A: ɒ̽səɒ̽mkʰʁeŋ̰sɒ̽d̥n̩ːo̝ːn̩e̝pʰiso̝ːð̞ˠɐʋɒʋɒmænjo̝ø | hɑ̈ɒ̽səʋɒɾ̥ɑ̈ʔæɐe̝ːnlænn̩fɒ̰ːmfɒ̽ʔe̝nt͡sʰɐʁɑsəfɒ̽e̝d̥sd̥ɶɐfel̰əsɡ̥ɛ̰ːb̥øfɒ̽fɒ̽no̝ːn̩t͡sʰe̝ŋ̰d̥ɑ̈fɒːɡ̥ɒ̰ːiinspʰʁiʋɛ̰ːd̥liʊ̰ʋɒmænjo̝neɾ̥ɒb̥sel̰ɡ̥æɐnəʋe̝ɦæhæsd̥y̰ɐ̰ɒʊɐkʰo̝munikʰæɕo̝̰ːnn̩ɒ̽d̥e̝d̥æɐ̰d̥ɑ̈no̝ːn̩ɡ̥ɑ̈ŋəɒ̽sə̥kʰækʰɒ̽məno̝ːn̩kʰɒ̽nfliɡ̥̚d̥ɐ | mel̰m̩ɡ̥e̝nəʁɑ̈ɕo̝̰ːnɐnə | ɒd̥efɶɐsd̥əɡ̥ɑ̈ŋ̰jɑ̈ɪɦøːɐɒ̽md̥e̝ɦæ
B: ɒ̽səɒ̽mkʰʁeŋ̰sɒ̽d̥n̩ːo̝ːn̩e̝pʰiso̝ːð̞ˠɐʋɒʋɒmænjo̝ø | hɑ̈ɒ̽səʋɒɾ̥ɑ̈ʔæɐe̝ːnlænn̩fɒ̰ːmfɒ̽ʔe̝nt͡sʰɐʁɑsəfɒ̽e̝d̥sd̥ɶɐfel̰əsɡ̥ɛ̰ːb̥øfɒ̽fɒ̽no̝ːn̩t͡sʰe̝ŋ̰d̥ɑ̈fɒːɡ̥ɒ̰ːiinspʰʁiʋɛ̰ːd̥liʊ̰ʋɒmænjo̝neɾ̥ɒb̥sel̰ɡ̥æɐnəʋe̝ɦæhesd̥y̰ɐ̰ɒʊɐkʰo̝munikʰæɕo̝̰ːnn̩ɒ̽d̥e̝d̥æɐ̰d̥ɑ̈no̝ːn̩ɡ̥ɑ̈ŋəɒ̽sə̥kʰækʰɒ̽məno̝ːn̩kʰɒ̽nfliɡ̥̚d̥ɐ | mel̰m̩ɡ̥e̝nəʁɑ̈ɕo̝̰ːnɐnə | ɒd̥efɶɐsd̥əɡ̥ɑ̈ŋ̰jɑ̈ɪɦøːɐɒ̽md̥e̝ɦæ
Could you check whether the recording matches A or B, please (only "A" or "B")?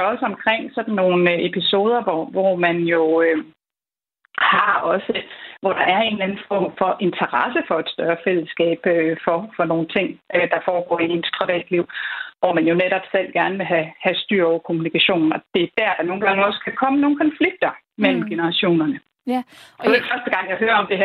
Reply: A